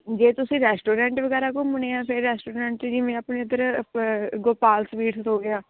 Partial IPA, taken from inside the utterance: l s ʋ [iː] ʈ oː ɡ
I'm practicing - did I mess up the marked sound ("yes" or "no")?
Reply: no